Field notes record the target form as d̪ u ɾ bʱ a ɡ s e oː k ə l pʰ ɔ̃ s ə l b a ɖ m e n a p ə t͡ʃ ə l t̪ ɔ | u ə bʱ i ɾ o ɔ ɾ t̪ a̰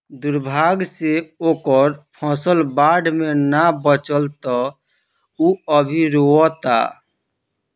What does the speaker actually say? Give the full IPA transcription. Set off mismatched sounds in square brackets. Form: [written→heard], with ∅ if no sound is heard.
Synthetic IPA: d̪ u ɾ bʱ a ɡ s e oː k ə [l→ɾ] pʰ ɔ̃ s ə l b a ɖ m e n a [p→b] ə t͡ʃ ə l t̪ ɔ | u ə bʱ i ɾ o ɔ [ɾ→∅] t̪ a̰